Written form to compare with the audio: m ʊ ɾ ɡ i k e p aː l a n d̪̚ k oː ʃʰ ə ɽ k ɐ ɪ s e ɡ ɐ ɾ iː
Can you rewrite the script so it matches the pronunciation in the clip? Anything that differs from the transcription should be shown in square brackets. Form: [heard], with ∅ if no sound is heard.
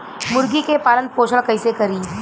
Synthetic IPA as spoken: m ʊ ɾ ɡ i k e p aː l [ə] n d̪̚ [p] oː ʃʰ ə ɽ k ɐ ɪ s e [k] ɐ ɾ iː